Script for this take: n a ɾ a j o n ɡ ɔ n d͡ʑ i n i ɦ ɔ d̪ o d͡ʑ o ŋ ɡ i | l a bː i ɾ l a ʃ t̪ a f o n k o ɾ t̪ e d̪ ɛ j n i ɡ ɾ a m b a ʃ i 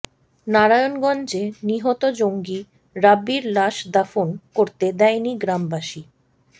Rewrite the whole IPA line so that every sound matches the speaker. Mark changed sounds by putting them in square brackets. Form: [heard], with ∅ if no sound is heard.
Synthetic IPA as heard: n a ɾ a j o n ɡ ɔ n d͡ʑ [e] n i ɦ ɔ [t̪] o d͡ʑ o ŋ ɡ i | [ɾ] a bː i ɾ l a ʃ [d̪] a f o n k o ɾ t̪ e d̪ ɛ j n i ɡ ɾ a m b a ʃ i